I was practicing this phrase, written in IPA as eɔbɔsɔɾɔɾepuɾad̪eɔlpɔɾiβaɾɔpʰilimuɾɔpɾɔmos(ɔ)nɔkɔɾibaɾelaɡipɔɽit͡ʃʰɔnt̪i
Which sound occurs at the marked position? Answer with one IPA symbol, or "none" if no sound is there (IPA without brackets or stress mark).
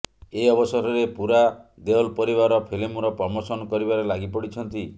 ɔ